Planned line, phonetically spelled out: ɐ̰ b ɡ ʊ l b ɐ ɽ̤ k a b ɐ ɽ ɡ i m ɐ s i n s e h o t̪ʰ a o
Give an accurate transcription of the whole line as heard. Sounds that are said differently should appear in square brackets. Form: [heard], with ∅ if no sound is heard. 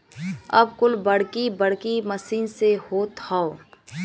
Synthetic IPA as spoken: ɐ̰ b [k] ʊ l b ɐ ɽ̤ k [i] b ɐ ɽ [k] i m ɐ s [iː] n s e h o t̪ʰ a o